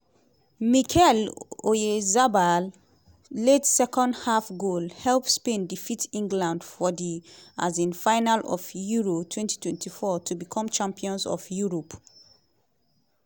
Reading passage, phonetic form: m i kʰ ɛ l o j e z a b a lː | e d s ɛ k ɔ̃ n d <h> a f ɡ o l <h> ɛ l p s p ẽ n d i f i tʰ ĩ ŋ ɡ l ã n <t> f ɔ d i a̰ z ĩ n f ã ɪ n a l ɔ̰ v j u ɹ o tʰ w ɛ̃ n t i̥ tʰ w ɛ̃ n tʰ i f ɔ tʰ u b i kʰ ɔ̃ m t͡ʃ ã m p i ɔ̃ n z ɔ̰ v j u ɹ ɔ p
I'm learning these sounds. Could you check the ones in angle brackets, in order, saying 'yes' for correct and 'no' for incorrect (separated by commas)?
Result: yes, yes, no